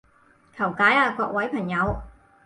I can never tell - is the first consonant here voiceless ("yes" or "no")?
yes